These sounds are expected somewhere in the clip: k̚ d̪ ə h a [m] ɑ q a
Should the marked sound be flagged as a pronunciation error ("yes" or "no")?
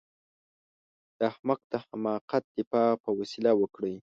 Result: no